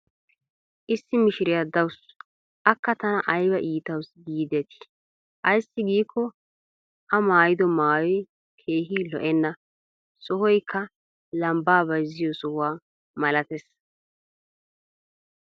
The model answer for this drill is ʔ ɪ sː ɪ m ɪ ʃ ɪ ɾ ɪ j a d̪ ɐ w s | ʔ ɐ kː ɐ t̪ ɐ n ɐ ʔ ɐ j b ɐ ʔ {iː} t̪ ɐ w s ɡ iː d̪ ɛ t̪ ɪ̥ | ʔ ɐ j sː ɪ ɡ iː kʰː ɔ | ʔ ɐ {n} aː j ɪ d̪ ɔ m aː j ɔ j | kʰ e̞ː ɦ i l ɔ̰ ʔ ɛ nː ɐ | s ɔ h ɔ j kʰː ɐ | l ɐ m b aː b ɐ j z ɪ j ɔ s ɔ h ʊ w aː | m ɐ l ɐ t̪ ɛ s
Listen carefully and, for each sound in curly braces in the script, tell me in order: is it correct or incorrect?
correct, incorrect

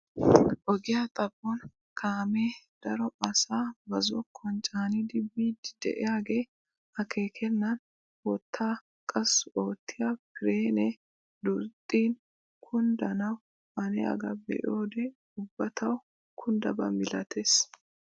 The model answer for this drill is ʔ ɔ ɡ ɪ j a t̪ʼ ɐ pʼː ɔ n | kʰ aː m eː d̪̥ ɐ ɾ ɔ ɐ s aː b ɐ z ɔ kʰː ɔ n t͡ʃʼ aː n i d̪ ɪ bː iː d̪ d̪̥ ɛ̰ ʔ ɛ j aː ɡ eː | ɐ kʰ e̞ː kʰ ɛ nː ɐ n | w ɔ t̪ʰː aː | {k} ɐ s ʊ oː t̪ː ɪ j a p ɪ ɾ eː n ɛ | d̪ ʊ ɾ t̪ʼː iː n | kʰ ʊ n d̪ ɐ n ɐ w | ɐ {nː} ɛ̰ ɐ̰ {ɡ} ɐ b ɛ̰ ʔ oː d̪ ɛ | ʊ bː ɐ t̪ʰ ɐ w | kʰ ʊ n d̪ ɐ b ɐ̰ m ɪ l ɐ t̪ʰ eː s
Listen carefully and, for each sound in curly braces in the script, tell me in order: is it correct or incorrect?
incorrect, incorrect, correct

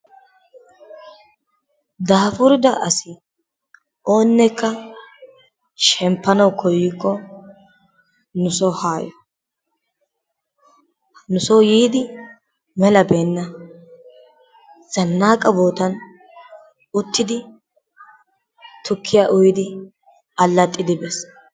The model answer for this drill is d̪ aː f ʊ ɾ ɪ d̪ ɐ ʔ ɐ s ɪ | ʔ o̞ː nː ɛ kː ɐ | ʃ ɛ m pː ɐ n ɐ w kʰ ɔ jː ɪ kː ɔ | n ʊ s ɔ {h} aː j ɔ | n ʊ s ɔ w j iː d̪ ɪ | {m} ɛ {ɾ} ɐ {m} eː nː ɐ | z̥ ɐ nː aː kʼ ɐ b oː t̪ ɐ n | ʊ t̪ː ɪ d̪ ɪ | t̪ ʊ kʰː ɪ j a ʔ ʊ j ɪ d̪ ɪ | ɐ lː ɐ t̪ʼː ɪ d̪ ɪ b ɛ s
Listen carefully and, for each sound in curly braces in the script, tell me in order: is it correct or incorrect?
correct, correct, incorrect, incorrect

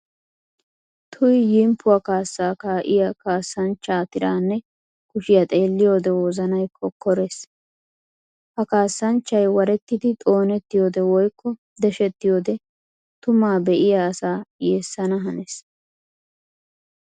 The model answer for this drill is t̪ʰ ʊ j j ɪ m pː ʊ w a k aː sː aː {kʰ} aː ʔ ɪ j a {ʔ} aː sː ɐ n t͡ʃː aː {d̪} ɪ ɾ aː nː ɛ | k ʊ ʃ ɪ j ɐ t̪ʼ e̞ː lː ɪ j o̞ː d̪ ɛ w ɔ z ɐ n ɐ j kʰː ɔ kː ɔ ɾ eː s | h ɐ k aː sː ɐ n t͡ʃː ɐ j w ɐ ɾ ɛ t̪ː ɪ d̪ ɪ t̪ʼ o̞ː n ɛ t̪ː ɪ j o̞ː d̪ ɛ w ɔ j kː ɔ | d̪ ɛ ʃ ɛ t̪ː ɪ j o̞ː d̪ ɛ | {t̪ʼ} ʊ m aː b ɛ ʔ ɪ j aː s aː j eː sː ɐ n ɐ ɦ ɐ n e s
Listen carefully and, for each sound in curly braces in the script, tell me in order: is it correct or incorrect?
incorrect, incorrect, incorrect, incorrect

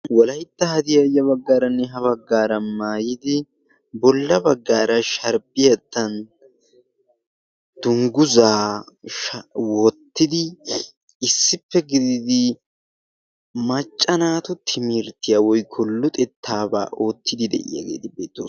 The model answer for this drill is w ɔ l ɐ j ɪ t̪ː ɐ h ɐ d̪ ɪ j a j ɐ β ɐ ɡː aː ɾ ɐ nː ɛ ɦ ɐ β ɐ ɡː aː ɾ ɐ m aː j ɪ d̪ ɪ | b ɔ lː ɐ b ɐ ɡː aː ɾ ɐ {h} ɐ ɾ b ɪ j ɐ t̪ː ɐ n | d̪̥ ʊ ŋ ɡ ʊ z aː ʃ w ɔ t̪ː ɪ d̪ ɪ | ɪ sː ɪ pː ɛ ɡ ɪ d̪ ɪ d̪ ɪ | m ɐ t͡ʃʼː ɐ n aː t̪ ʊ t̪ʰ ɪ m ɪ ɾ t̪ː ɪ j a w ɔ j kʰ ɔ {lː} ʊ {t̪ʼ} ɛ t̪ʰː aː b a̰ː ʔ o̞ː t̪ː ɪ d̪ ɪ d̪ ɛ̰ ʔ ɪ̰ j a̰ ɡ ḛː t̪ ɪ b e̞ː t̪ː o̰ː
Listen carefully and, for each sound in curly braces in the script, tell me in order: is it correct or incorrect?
incorrect, correct, correct

